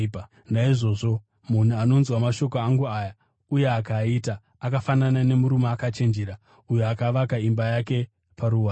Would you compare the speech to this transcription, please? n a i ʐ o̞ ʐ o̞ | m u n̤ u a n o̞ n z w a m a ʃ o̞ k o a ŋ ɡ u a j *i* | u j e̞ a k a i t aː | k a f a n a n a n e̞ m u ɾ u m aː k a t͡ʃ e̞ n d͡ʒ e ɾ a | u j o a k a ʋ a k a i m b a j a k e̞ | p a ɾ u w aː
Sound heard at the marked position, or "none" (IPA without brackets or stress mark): a